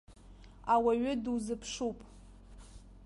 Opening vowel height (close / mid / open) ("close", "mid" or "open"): open